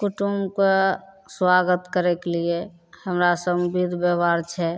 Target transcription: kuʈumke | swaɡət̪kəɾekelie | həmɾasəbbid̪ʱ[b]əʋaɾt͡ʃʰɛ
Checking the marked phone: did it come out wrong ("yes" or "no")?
no